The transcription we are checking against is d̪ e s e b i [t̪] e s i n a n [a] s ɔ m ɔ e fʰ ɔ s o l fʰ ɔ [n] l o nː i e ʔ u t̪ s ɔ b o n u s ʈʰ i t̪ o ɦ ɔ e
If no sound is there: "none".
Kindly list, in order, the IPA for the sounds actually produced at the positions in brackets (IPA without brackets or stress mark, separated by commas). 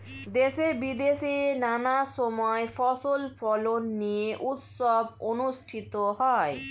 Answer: d̪, a, none